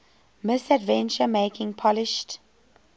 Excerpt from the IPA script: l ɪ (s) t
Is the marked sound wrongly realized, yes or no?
yes